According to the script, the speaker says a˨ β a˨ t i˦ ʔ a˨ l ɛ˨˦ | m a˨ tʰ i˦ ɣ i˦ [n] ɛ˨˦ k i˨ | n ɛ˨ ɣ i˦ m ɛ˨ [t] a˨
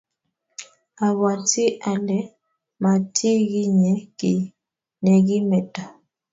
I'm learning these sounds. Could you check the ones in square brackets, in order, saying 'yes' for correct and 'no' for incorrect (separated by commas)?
no, yes